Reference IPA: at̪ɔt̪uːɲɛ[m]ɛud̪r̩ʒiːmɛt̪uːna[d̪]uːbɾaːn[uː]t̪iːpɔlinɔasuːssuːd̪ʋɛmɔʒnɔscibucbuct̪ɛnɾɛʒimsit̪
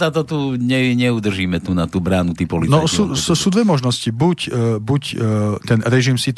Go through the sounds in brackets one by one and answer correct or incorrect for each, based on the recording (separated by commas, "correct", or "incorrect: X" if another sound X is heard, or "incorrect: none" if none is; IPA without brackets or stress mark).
incorrect: ɲ, incorrect: t̪, incorrect: u